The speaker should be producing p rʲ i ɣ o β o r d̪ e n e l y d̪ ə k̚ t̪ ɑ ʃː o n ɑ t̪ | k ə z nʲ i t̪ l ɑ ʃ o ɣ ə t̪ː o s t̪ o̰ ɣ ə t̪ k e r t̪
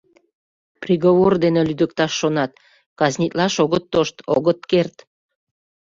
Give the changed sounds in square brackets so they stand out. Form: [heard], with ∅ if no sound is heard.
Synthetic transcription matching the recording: p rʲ i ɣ o β o r d̪ e n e l y d̪ ə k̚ t̪ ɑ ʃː o n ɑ t̪ | k [ɑ] z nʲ i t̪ l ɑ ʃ o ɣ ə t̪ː o [ʃ] t̪ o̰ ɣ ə t̪ k e r t̪